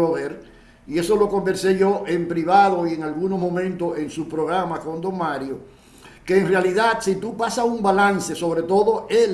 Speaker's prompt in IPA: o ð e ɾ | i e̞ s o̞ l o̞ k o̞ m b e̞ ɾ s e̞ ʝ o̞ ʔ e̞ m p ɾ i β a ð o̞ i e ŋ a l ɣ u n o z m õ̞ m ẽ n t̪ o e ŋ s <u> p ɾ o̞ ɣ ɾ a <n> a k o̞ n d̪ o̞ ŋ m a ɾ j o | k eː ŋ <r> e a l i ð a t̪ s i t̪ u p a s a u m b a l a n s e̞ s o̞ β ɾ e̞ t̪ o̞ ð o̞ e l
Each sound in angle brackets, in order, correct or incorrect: correct, incorrect, correct

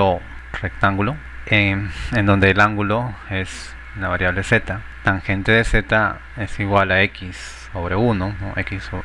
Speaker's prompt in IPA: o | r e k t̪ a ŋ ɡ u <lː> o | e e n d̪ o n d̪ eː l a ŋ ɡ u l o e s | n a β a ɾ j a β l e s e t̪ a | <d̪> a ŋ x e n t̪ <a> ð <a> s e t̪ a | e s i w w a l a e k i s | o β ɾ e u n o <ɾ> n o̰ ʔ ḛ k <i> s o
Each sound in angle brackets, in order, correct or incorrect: incorrect, incorrect, incorrect, incorrect, incorrect, correct

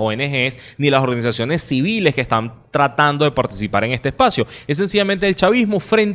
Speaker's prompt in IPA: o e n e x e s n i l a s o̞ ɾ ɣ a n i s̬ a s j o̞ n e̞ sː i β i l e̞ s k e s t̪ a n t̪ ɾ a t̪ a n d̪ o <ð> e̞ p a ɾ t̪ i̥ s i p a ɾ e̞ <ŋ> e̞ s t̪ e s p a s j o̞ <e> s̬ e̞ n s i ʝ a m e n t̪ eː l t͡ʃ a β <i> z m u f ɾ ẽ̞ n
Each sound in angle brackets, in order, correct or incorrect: correct, correct, correct, correct

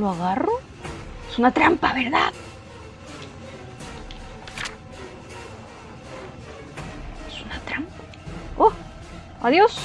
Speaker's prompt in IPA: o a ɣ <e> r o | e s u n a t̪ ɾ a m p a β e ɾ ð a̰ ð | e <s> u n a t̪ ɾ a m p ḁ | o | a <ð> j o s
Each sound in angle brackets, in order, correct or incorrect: incorrect, correct, correct

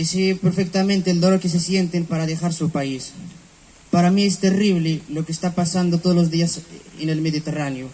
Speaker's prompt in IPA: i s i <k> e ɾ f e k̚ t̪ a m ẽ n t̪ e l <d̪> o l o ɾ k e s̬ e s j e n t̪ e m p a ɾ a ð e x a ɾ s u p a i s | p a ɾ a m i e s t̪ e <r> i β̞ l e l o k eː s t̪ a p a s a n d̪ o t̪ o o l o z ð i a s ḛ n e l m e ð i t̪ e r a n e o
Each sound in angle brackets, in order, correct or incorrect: incorrect, correct, correct

